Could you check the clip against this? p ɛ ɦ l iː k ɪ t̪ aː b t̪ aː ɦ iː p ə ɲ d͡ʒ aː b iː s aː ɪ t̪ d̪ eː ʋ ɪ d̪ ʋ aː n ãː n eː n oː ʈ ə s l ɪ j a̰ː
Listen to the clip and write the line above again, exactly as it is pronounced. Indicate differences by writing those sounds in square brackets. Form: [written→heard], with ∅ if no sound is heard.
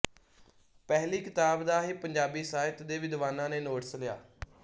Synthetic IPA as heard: p ɛ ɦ l iː k ɪ t̪ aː b [t̪→d̪] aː ɦ iː p ə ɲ d͡ʒ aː b iː s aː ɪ t̪ d̪ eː ʋ ɪ d̪ ʋ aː n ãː n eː n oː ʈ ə s l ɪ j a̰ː